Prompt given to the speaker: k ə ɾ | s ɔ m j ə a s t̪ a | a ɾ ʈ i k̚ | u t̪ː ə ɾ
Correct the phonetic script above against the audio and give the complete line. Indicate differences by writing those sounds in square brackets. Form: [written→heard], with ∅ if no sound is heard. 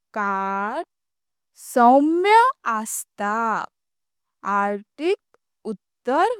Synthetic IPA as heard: k [ə→a] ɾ | s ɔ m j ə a s t̪ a | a ɾ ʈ i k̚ | u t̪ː ə ɾ